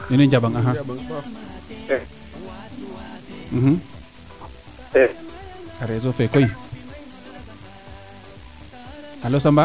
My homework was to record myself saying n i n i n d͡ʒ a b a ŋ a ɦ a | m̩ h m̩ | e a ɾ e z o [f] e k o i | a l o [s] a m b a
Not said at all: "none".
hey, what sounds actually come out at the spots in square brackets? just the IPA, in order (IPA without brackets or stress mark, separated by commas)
f, s